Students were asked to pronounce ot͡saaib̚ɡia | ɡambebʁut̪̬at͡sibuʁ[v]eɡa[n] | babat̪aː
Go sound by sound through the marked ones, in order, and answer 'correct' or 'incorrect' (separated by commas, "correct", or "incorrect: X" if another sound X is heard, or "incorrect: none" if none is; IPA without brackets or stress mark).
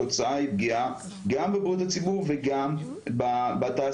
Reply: correct, incorrect: m